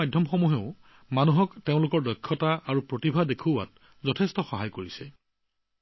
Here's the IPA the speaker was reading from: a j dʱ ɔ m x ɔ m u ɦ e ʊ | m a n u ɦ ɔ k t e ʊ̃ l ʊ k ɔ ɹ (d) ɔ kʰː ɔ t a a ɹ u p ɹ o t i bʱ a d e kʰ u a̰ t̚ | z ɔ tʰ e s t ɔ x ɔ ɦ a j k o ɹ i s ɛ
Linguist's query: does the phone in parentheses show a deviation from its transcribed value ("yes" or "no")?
no